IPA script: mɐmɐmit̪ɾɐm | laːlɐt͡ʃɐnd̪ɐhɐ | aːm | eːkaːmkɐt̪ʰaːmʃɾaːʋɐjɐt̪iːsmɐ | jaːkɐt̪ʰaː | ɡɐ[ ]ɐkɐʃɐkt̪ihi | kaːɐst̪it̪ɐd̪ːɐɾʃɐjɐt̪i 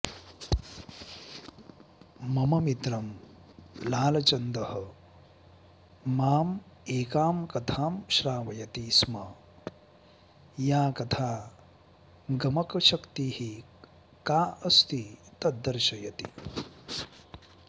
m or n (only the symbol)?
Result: m